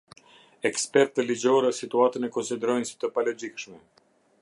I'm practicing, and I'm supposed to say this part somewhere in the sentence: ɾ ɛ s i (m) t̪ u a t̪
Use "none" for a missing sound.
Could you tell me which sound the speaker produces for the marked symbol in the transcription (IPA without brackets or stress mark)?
none